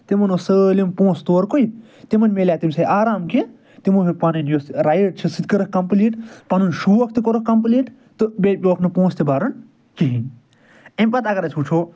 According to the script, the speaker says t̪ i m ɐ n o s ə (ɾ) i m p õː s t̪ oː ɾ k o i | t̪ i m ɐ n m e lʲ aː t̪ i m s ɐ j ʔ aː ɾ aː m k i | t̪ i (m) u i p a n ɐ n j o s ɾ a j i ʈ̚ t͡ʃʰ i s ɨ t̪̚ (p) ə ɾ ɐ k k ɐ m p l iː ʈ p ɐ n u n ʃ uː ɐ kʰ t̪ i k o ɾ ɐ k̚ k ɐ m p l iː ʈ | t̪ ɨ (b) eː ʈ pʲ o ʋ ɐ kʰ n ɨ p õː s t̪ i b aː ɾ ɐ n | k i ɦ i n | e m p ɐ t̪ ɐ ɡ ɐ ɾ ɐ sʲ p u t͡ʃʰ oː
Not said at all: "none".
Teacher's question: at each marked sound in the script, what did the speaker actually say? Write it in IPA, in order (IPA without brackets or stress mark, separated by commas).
l, m, k, b